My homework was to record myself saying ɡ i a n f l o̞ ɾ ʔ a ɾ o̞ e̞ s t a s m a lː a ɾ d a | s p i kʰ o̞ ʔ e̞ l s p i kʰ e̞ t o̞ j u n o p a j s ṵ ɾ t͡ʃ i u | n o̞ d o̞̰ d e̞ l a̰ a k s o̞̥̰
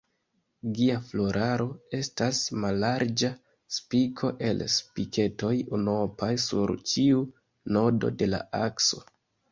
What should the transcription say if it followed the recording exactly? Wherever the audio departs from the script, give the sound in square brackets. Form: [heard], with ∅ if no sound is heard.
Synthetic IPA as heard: ɡ i a [∅] f l o̞ ɾ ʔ a ɾ o̞ e̞ s t a s m a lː a ɾ [d͡ʒ] a | s p i kʰ o̞ ʔ e̞ l s p i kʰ e̞ t o̞ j u n o p a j s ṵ ɾ t͡ʃ i u | n o̞ d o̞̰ d e̞ l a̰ a k s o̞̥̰